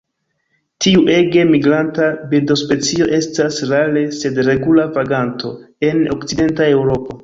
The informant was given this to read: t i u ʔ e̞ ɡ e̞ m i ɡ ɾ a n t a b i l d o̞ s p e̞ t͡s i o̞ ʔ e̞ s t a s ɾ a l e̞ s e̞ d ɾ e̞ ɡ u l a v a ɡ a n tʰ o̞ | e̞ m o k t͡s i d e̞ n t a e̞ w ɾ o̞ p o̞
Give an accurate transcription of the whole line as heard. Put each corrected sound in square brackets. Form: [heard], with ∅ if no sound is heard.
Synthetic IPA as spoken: t i u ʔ e̞ ɡ e̞ m i ɡ ɾ a n t a b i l d o̞ s p e̞ t͡s i o̞ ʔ e̞ s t a s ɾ a l e̞ s e̞ d ɾ e̞ ɡ u l a v a ɡ a n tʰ o̞ | e̞ [n] o k t͡s i d e̞ n t a e̞ w ɾ o̞ p o̞